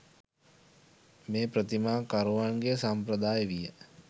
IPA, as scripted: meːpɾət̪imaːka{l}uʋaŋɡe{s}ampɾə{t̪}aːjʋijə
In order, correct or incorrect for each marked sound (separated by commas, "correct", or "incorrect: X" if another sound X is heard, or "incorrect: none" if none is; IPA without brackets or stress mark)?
incorrect: ɾ, correct, incorrect: d̪